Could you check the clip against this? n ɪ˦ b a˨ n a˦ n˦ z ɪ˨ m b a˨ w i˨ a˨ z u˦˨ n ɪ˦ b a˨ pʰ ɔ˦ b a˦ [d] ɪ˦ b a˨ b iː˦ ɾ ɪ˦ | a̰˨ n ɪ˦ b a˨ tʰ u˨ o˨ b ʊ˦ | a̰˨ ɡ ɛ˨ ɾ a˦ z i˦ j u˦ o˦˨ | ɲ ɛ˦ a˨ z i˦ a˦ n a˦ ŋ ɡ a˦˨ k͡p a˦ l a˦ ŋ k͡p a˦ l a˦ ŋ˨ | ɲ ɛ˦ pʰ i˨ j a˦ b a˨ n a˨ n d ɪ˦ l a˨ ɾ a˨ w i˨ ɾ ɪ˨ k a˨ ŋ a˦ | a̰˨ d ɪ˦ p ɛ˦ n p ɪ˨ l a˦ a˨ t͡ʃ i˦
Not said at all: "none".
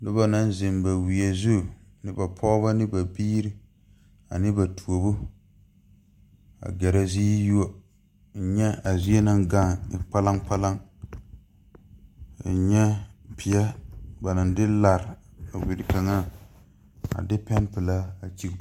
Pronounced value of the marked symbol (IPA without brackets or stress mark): n